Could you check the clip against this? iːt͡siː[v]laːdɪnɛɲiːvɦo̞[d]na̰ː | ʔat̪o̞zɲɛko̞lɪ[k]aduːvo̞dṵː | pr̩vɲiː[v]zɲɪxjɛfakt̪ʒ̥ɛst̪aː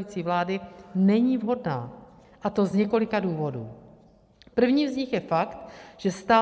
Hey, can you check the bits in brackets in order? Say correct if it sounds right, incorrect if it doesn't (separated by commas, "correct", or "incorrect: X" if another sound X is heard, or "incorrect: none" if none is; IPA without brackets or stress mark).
correct, correct, correct, correct